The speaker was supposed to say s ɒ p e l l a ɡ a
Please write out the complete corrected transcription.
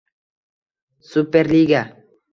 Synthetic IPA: s u p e ɾ l i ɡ a